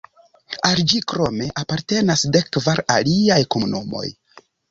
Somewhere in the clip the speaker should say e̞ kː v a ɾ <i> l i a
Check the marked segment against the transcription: incorrect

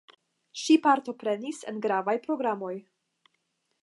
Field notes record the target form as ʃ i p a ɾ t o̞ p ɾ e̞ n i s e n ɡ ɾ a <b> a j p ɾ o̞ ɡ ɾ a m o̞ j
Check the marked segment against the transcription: incorrect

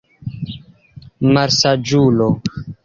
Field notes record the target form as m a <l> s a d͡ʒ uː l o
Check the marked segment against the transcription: incorrect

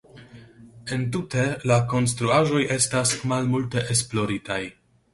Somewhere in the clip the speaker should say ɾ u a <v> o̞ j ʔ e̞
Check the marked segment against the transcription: incorrect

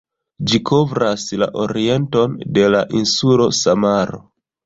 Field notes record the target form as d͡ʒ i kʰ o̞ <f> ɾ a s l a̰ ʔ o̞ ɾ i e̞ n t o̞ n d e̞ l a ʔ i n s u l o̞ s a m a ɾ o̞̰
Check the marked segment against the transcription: incorrect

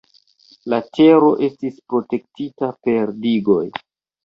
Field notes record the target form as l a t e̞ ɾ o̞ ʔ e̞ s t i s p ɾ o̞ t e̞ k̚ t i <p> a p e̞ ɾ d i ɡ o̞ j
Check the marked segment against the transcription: incorrect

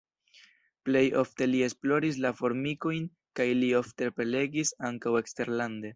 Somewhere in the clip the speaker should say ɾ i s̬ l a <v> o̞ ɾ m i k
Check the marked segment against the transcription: incorrect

